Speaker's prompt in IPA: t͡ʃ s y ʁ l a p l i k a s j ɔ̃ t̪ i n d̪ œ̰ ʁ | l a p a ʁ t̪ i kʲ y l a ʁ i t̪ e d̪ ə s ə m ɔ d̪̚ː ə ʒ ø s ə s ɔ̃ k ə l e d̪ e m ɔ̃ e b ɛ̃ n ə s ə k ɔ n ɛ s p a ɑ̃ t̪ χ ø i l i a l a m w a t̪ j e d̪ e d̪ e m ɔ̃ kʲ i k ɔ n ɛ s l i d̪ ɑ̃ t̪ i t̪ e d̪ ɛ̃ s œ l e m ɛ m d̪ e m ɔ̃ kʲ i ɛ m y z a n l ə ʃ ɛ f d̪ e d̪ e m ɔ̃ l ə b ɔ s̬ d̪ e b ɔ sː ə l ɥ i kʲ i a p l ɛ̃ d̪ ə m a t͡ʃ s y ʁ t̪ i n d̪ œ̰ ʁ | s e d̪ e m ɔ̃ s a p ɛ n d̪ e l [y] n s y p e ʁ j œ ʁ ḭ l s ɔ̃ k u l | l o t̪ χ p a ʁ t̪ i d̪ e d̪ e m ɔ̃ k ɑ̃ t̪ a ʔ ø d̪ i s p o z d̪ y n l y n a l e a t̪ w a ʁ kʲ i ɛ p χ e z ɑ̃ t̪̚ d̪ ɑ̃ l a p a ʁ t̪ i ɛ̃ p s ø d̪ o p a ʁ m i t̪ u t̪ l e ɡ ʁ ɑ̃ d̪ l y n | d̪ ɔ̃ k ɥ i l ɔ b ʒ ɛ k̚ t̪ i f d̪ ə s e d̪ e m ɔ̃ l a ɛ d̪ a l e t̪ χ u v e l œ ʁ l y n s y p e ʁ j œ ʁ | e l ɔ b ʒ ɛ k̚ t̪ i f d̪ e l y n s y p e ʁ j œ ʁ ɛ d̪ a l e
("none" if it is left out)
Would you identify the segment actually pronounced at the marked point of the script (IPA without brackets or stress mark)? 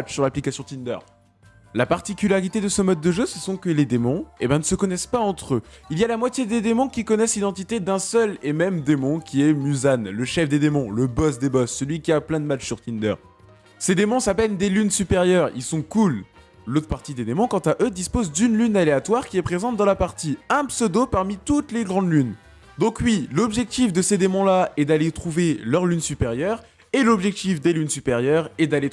y